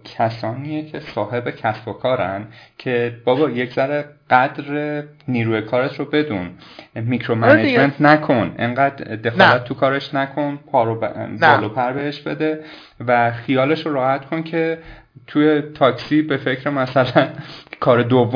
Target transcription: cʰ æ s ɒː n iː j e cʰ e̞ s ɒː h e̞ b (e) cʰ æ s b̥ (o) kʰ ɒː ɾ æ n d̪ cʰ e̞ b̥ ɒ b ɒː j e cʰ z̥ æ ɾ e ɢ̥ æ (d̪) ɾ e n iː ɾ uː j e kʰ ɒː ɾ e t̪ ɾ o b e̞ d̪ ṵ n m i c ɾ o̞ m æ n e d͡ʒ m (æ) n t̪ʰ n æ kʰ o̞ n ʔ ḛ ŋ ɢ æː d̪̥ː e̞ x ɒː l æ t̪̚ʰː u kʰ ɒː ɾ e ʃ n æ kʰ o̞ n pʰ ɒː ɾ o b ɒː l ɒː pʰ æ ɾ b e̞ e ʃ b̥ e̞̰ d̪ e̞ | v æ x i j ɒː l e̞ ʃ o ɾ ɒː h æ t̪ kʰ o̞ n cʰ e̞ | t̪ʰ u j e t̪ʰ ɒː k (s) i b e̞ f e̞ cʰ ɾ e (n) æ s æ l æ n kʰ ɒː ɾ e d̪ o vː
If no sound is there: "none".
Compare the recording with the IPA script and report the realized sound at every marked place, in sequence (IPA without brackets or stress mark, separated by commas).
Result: e, o, d̪, e, s, m